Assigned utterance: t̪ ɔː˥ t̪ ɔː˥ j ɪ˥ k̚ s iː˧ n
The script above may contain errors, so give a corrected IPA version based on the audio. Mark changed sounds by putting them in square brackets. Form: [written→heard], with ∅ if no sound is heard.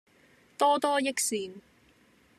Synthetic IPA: t̪ ɔː˥ t̪ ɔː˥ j ɪ˥ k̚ s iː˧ n